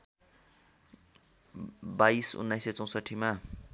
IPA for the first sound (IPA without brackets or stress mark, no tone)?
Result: b